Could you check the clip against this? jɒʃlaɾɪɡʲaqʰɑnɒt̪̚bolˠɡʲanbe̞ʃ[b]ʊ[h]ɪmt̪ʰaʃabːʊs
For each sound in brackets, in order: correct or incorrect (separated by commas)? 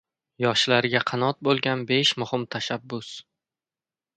incorrect, correct